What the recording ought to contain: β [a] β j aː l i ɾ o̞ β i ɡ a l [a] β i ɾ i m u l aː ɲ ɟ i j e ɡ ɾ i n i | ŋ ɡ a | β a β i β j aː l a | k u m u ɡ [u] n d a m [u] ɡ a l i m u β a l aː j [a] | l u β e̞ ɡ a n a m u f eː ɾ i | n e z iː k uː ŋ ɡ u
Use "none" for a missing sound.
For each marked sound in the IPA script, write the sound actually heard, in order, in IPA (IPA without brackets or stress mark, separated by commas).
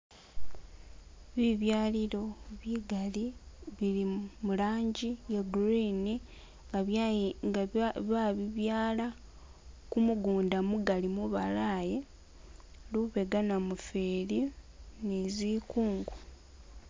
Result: i, i, uː, u, e